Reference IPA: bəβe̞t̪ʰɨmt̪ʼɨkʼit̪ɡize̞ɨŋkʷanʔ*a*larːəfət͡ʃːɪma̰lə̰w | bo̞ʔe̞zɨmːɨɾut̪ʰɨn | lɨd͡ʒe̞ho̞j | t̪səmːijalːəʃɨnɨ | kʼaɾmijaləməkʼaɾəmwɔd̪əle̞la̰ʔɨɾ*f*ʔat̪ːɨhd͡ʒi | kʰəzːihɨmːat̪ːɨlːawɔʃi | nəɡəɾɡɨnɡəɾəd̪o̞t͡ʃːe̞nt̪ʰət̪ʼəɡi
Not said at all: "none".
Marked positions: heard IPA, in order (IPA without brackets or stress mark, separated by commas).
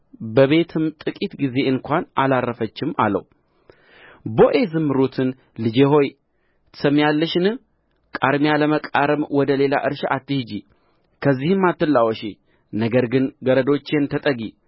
a, ʃ